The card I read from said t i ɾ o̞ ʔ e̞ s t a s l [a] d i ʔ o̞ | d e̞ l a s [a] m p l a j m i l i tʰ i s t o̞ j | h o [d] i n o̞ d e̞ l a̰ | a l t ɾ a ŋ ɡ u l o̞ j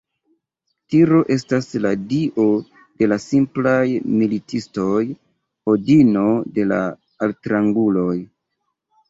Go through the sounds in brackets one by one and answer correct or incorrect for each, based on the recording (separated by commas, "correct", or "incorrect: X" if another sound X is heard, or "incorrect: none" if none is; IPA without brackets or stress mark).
correct, incorrect: i, correct